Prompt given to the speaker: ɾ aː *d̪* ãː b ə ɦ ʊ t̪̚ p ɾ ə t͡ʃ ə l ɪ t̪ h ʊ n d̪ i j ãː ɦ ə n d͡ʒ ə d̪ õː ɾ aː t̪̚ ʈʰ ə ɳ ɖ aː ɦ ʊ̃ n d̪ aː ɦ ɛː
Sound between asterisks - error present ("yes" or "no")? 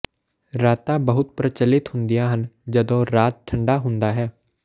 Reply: yes